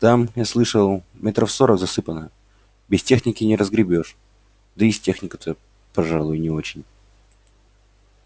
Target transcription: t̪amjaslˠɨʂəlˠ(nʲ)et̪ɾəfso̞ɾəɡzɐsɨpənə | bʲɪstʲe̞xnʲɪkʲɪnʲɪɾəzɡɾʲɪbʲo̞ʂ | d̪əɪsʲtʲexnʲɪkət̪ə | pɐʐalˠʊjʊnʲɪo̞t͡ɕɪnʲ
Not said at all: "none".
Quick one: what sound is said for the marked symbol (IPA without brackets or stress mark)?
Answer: mʲ